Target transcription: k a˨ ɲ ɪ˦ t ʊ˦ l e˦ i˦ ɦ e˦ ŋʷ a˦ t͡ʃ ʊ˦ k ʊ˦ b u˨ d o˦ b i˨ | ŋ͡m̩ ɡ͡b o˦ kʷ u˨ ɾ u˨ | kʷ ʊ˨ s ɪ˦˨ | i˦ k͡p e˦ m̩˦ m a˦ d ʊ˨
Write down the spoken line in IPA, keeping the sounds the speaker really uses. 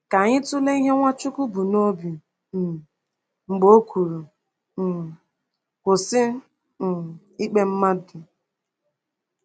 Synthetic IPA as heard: k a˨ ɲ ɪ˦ t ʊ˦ l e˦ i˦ ɦ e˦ ŋʷ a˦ t͡ʃ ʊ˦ k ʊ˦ b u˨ n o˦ b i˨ | ŋ͡m̩ ɡ͡b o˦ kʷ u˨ ɾ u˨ | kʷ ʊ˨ s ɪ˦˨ | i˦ k͡p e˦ m̩˦ m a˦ d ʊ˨